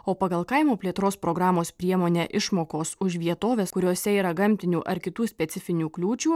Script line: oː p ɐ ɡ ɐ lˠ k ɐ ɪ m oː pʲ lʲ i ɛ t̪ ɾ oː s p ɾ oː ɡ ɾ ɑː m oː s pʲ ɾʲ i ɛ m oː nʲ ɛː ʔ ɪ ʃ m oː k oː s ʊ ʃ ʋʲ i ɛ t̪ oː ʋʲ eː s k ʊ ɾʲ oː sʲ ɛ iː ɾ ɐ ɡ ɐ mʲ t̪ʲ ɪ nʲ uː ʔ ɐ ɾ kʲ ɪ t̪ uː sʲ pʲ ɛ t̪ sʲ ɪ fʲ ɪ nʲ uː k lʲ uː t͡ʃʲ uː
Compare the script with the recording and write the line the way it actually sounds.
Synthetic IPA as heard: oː p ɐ ɡ ɐ lˠ k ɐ ɪ m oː pʲ lʲ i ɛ t̪ ɾ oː s p ɾ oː ɡ ɾ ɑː m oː s pʲ ɾʲ i ɛ m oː nʲ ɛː ʔ ɪ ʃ m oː k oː s ʊ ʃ ʋʲ i ɛ t̪ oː ʋʲ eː s k ʊ ɾʲ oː sʲ ɛ iː ɾ ɐ ɡ ɐ mʲ t̪ʲ ɪ nʲ uː ʔ ɐ ɾ kʲ ɪ t̪ uː sʲ pʲ ɛ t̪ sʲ ɪ fʲ ɪ nʲ uː k lʲ uː t͡ʃʲ uː